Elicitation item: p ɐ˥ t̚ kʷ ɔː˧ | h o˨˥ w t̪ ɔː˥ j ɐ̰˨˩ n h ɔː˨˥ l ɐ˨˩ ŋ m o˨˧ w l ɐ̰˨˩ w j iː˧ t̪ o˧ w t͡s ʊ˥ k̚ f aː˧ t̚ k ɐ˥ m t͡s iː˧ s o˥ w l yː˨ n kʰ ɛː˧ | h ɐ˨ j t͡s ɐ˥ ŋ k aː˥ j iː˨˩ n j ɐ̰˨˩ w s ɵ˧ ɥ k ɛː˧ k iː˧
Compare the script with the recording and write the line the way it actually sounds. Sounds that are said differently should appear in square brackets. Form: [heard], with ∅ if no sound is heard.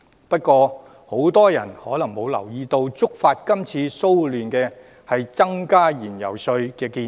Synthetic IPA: p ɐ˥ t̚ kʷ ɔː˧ | h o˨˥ w t̪ ɔː˥ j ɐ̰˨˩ n h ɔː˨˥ l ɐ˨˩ ŋ m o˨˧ w l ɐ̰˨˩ w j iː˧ t̪ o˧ w t͡s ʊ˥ k̚ f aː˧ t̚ k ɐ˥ m [t͡sʰ] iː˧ s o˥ w l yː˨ n [k] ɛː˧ | h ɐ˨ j t͡s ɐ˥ ŋ k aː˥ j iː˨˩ n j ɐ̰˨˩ w s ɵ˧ ɥ k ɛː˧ k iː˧